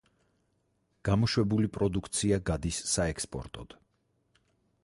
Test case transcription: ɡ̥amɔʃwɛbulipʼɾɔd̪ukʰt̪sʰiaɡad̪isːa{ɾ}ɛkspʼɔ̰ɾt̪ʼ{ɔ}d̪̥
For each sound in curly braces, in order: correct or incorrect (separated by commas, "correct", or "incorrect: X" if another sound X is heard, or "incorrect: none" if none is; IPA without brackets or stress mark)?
incorrect: none, correct